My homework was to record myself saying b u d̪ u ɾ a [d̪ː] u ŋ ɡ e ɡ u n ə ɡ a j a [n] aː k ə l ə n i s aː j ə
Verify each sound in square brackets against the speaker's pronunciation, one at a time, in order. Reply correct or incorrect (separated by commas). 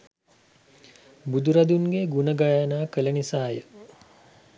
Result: incorrect, correct